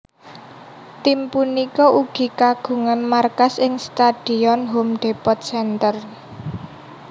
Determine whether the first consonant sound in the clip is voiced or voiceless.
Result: voiceless